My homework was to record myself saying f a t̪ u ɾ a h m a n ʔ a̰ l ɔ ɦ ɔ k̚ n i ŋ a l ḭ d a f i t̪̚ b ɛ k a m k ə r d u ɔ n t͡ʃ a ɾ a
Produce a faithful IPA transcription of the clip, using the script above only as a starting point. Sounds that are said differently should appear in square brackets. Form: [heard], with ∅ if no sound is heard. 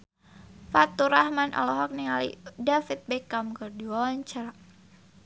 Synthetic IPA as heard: f a t̪ u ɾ a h m a n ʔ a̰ l ɔ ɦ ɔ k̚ n i ŋ a l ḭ d a f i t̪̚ b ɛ k a m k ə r d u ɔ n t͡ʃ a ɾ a